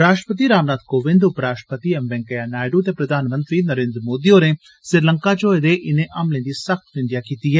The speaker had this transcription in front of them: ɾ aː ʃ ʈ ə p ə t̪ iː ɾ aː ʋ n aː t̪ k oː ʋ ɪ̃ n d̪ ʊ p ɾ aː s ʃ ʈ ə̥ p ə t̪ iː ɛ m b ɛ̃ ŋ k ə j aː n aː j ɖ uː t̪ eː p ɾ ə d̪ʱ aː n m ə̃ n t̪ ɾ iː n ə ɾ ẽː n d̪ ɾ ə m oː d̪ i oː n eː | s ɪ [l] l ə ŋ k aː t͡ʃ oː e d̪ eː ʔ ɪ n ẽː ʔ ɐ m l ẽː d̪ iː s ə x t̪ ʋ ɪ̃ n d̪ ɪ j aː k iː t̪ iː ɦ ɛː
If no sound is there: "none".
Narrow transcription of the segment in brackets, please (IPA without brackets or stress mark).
ɾ